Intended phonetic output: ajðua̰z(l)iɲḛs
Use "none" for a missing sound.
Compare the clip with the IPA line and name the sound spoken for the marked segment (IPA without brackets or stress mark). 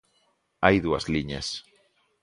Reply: l